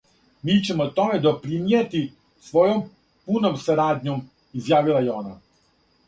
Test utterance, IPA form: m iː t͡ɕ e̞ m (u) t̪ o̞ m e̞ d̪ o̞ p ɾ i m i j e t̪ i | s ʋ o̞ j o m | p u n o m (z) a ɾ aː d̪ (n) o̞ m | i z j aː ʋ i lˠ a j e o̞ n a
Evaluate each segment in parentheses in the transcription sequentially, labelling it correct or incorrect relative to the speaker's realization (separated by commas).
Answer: incorrect, incorrect, incorrect